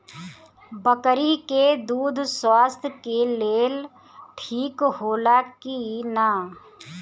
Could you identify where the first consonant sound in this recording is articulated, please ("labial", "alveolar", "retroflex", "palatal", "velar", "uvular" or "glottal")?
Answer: labial